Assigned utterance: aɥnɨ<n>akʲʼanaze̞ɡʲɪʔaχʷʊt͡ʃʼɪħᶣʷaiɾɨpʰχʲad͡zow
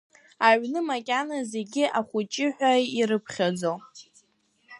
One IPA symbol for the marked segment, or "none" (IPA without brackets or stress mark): m